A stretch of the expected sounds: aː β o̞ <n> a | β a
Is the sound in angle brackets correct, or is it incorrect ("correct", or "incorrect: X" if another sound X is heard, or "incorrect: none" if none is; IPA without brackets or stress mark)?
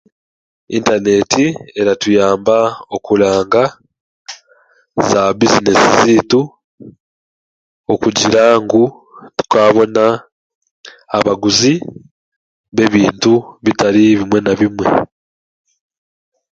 correct